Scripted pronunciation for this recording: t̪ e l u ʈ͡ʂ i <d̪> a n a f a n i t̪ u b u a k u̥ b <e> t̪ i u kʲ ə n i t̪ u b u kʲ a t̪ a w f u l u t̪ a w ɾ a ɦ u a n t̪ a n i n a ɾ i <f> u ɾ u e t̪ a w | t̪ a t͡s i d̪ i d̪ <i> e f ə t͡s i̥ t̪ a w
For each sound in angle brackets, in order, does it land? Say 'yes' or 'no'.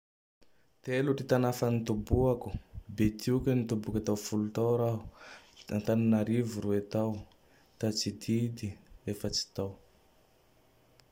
no, yes, no, yes

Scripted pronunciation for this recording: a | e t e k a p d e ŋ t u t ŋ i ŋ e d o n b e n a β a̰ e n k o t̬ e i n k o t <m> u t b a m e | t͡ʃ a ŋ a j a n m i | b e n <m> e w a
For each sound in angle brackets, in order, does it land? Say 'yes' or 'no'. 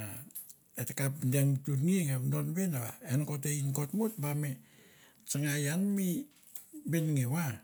yes, no

